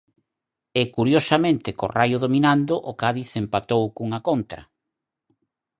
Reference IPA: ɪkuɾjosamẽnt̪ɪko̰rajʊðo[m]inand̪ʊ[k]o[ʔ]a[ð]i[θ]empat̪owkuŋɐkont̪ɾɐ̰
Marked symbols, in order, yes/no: yes, no, no, yes, yes

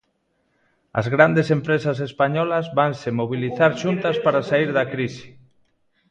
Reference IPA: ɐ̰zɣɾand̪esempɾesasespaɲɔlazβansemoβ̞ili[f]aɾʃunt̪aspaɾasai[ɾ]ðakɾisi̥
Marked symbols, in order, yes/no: no, yes

